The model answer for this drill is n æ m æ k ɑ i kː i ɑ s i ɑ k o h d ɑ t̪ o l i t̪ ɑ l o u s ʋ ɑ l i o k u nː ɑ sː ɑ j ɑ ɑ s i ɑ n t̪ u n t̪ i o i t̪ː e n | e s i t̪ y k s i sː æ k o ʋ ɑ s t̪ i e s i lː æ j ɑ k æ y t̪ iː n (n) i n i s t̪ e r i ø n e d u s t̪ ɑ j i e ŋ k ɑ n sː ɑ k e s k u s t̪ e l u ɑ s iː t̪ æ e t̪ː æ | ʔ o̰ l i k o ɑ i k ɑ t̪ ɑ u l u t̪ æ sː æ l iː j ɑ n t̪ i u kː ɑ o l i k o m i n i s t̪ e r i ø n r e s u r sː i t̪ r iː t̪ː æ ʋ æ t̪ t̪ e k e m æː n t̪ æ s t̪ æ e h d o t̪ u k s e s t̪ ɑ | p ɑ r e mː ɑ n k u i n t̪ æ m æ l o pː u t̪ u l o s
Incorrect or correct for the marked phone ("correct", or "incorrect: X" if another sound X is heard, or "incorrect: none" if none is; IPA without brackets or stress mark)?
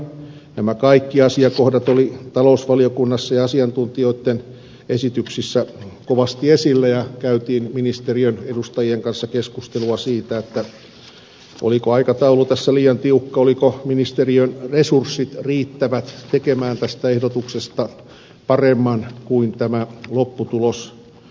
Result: incorrect: m